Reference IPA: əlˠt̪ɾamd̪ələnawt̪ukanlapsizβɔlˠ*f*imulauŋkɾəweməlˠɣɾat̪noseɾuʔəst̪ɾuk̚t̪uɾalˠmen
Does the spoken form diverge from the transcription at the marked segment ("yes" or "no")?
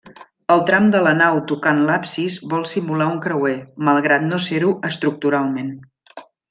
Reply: yes